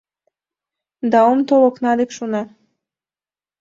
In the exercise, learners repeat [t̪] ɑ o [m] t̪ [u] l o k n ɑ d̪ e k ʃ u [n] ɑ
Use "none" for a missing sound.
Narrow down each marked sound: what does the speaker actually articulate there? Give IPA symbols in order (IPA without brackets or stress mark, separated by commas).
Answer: d̪, m, o, n